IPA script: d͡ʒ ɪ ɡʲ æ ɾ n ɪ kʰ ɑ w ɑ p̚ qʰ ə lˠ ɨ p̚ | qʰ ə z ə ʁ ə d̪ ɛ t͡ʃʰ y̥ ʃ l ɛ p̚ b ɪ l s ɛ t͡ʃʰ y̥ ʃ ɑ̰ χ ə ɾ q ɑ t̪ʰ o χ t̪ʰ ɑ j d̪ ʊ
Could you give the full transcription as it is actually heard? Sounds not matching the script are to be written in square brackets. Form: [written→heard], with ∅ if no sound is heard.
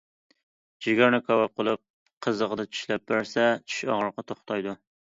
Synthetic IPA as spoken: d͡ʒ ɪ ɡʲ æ ɾ n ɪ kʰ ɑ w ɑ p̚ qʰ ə lˠ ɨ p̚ | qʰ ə z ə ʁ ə d̪ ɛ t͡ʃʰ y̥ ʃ l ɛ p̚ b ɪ [l→ɾ] s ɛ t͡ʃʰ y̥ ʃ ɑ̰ [χ→ʁ] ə ɾ q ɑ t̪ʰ o χ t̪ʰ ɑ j d̪ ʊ